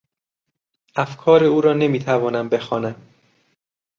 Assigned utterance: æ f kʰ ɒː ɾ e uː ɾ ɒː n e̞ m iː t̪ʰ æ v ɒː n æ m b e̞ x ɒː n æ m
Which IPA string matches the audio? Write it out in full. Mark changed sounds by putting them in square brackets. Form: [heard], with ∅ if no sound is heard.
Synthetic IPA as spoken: æ f kʰ ɒː ɾ e uː ɾ ɒː n e̞ m iː t̪ʰ æ v ɒː n æ m b e̞ x ɒː n æ m